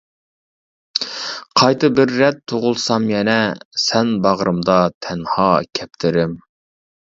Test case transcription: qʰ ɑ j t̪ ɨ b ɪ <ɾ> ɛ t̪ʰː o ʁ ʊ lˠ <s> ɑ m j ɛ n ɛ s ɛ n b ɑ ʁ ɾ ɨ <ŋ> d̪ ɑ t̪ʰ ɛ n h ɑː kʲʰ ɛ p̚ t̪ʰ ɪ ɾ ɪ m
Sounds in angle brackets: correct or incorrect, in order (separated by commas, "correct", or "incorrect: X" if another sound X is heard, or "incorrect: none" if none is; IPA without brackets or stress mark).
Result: incorrect: ɾː, correct, incorrect: m